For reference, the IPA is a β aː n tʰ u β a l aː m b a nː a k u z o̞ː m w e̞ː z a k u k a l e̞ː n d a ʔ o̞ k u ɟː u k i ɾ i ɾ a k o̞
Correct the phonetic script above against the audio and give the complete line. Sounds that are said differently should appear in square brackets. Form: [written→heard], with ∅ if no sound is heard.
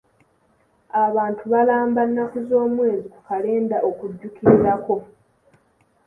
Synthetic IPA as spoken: a β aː n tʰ u β a l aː m b a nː a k u z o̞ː m w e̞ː z [a→i] k u k a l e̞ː n d a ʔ o̞ k u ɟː u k i ɾ i ɾ a k o̞